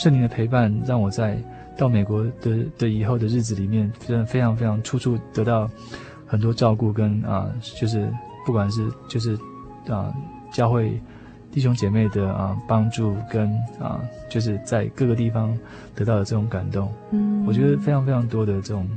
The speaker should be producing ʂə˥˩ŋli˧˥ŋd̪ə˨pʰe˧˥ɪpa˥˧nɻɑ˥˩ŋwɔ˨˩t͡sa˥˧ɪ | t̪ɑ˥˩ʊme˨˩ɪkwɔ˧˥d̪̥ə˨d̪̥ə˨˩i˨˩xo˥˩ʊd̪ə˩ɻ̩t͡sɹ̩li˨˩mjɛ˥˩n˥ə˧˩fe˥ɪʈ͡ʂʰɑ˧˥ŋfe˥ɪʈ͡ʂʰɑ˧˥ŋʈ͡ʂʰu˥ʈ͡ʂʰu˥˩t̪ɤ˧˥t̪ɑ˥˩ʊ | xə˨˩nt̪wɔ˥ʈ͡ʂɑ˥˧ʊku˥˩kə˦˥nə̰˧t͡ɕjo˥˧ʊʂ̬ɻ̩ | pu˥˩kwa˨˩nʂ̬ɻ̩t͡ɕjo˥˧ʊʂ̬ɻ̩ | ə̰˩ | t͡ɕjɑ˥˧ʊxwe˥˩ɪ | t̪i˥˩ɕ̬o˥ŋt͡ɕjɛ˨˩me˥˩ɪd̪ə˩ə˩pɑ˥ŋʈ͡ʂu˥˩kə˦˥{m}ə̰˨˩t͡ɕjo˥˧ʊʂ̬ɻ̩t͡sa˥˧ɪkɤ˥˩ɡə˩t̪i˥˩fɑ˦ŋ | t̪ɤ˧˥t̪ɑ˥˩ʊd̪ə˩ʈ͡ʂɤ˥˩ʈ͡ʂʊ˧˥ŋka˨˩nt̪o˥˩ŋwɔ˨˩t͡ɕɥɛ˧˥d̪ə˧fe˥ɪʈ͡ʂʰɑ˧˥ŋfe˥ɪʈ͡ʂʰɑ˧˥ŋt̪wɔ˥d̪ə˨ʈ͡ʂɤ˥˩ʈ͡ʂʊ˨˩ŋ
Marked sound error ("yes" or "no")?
yes